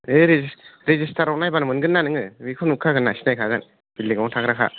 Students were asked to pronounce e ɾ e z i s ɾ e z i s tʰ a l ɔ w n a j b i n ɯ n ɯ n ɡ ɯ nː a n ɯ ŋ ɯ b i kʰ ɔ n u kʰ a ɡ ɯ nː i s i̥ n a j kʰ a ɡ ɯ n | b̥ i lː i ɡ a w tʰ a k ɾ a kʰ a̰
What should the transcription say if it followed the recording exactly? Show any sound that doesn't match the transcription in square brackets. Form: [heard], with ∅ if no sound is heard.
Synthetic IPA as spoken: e ɾ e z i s ɾ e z i s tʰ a [ɾ] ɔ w n a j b [a] n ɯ [m] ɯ n ɡ ɯ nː a n ɯ ŋ ɯ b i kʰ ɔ n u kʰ a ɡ ɯ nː [a] s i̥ n a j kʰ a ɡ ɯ n | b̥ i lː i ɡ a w tʰ a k ɾ a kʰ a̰